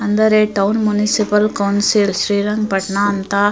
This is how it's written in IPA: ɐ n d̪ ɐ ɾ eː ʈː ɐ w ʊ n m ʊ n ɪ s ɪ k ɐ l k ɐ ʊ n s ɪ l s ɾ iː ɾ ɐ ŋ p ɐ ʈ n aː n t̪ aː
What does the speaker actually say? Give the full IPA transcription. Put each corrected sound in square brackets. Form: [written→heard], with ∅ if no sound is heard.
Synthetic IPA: ɐ n d̪ ɐ ɾ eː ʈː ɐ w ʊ n m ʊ n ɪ s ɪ [k→p] ɐ l k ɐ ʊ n s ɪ l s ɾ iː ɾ ɐ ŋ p ɐ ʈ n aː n t̪ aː